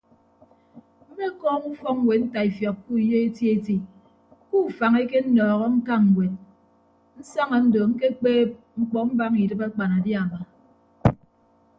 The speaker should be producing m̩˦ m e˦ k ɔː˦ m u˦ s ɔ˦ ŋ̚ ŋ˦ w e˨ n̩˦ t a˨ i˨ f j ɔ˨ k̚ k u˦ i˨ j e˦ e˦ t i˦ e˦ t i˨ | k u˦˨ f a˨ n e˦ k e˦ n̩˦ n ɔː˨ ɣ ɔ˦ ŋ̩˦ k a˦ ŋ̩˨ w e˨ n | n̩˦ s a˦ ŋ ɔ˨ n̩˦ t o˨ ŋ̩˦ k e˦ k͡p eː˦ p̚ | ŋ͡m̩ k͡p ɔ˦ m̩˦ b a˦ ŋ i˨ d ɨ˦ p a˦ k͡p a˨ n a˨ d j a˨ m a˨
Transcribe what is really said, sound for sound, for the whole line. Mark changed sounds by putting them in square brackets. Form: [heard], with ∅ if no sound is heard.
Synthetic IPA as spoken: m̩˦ m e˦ k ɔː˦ [ŋ] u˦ [f] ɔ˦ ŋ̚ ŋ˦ w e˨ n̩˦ t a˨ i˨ f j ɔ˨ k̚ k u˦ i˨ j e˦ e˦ t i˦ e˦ t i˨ | k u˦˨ f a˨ [ŋ] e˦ k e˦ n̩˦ n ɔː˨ ɣ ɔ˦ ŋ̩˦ k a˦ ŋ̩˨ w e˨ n | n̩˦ s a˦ ŋ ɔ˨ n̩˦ [d] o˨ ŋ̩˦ k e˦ k͡p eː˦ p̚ | ŋ͡m̩ k͡p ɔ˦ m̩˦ b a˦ ŋ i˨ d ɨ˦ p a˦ k͡p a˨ n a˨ d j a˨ m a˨